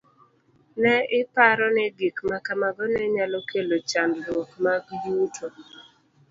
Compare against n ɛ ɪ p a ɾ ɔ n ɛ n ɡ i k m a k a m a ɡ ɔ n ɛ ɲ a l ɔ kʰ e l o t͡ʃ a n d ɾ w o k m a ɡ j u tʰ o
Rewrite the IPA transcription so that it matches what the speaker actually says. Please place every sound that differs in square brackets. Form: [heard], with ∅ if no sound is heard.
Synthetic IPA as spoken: n ɛ ɪ p a ɾ ɔ n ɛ [∅] ɡ i k m a k a m a ɡ ɔ n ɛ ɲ a l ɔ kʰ e l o t͡ʃ a n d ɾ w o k m a ɡ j u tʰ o